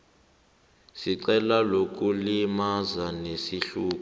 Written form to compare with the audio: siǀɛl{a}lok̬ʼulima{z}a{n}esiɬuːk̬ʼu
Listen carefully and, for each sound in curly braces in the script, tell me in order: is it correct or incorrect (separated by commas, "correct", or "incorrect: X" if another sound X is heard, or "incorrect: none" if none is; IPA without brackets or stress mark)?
correct, correct, correct